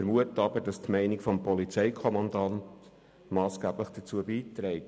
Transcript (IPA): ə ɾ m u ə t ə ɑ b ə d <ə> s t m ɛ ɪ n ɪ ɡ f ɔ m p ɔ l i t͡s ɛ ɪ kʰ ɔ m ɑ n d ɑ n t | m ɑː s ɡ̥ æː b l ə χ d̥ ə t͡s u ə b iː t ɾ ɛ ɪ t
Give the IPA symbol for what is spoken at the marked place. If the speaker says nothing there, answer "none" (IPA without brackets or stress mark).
ɑ